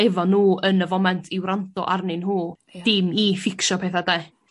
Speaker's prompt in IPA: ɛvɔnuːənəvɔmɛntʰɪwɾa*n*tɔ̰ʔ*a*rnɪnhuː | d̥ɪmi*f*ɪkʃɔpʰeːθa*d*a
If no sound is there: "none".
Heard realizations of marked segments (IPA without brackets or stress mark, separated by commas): n, a, f, d